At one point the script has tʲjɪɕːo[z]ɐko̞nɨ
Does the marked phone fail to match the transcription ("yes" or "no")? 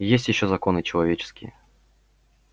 no